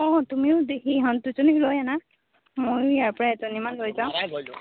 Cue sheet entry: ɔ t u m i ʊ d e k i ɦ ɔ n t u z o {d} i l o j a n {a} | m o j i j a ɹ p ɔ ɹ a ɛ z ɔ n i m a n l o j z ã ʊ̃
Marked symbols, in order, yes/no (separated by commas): no, yes